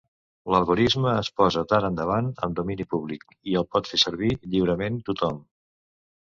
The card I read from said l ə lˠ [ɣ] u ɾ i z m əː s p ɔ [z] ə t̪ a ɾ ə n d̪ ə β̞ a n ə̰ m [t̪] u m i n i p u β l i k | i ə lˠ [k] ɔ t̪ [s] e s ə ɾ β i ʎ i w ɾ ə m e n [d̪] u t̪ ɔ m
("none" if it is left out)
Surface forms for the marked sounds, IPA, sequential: ɣ, z, d̪, p, f, t̪

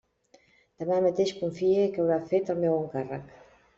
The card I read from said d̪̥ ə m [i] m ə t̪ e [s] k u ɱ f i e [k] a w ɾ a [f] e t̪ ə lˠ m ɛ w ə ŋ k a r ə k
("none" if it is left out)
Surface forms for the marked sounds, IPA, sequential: a, ʃ, k, f

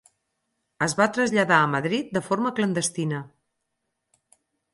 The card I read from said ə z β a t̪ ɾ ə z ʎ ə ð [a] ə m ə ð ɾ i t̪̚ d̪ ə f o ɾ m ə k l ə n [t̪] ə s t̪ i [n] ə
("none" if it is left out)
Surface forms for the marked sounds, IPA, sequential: a, d̪, n

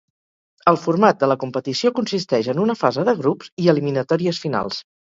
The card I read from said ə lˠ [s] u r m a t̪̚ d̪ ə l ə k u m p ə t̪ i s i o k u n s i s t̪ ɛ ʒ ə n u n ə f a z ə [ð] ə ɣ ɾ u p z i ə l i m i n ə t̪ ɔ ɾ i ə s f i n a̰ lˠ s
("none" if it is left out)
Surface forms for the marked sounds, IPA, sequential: f, ð

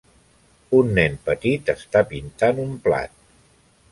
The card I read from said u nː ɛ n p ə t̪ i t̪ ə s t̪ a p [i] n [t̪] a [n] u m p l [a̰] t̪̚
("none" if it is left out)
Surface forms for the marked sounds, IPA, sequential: i, t̪, n, a̰

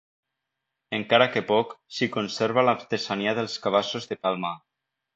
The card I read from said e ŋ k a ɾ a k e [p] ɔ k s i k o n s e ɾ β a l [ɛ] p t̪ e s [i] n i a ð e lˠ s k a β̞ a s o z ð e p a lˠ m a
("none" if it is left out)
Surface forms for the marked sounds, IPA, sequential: p, a, a

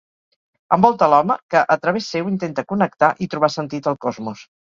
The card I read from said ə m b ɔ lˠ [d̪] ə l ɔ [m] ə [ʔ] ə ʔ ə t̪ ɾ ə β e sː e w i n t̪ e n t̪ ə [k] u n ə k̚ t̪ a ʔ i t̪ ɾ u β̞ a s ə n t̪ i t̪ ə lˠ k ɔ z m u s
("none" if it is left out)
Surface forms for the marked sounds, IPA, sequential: t̪, m, k, k

